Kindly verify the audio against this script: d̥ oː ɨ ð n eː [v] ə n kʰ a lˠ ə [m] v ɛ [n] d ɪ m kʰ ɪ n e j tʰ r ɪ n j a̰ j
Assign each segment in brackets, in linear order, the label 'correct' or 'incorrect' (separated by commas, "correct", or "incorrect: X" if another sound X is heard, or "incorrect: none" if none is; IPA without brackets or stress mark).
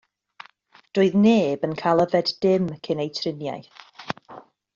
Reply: incorrect: b, incorrect: none, incorrect: d